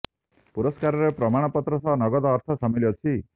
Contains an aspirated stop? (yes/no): yes